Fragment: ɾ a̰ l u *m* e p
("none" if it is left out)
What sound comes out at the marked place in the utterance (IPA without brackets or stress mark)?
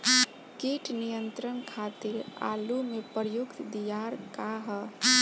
m